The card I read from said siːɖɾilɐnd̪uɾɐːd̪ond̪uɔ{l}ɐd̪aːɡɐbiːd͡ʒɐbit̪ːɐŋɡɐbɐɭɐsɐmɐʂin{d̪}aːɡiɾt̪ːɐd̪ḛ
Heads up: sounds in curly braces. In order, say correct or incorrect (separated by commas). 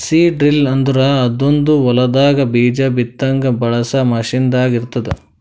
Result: correct, correct